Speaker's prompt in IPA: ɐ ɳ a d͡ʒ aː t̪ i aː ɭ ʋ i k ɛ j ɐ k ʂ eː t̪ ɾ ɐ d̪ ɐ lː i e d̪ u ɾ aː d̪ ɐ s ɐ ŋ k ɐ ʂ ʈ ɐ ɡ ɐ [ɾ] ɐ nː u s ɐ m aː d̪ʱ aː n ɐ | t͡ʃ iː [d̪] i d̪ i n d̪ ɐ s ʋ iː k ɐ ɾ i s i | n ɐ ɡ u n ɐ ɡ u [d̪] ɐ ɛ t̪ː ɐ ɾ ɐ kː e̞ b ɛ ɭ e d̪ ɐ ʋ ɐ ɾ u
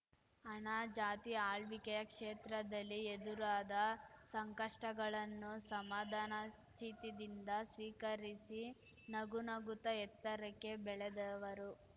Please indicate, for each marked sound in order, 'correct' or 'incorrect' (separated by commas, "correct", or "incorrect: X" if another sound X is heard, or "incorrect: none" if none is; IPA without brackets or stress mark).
incorrect: ɭ, incorrect: t̪, incorrect: t̪